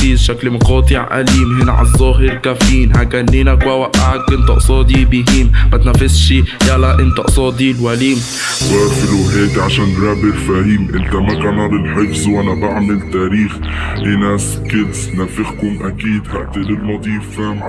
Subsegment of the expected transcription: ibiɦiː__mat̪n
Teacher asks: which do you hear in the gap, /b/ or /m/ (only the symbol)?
m